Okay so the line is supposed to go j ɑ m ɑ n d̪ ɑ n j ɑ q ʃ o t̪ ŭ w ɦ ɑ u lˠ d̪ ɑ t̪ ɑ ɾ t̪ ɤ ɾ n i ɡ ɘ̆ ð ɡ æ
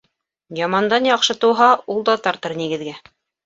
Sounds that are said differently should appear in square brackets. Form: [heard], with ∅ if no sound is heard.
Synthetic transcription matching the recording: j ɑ m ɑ n d̪ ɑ n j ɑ q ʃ [ɤ] t̪ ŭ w ɦ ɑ u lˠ d̪ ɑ t̪ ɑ ɾ t̪ ɤ ɾ n i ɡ ɘ̆ ð ɡ æ